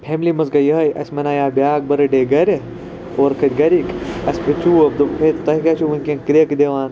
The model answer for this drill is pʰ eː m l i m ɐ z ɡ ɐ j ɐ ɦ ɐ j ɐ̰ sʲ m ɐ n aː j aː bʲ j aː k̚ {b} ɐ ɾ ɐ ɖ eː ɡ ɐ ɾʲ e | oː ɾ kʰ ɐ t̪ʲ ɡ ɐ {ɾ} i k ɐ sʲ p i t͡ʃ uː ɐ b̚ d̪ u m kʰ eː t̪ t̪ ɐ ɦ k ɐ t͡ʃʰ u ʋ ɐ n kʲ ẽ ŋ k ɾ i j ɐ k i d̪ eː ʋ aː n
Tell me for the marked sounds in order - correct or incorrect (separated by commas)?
correct, correct